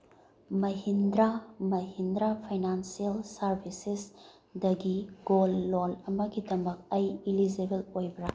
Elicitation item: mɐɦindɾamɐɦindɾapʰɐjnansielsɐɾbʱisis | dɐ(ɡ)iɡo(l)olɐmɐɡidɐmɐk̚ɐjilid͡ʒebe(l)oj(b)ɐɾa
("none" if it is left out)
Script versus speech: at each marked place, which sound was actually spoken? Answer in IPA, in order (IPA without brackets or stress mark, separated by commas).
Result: ɡ, lː, l, b